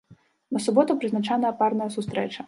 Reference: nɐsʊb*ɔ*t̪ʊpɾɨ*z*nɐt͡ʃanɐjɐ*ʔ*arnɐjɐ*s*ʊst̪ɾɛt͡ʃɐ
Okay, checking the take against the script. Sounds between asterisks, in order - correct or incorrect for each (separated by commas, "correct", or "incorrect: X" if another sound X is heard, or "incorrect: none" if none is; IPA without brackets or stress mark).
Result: correct, correct, incorrect: p, correct